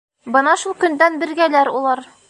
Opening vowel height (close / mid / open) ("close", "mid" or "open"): mid